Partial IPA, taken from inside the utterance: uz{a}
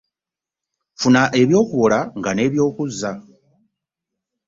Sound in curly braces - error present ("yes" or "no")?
no